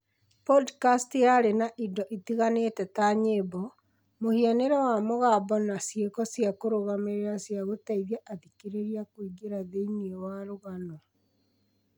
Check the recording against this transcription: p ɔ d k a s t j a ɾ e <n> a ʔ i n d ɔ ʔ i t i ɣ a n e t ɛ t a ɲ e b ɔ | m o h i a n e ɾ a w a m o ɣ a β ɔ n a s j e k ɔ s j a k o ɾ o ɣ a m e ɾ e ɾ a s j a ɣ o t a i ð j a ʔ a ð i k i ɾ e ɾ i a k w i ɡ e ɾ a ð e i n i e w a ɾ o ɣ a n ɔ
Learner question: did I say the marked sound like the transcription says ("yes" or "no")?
yes